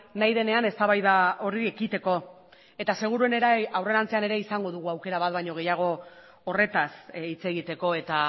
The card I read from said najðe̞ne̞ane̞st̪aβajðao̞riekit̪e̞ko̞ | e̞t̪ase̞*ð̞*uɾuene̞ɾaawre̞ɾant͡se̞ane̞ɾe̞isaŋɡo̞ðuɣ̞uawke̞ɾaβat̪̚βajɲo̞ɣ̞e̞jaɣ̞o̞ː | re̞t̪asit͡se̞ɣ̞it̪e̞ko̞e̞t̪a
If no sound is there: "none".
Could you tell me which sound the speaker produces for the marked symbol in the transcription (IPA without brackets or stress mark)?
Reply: ɣ̞